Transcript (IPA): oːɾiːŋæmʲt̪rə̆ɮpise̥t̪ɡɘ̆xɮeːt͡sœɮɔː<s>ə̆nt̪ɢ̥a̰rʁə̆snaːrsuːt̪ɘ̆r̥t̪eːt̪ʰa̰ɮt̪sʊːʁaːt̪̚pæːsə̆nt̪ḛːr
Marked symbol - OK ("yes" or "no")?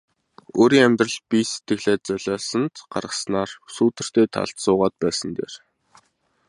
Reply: yes